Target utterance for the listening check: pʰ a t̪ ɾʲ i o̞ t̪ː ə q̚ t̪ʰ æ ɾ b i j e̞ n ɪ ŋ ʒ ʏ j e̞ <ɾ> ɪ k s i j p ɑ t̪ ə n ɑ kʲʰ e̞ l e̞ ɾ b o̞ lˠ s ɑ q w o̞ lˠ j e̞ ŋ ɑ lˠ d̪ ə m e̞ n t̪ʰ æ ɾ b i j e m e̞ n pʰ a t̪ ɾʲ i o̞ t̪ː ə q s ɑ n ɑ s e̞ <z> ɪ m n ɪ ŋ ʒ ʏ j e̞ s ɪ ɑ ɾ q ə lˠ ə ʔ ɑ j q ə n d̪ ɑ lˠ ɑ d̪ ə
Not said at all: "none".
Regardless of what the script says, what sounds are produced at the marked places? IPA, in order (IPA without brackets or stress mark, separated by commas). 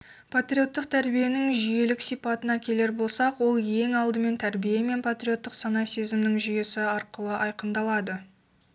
l, z